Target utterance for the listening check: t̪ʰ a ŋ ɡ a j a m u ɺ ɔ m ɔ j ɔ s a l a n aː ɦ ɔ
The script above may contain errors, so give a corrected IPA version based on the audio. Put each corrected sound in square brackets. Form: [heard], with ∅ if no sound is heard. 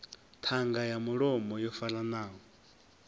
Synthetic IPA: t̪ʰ a ŋ ɡ a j a m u ɺ ɔ m ɔ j ɔ [f] a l a n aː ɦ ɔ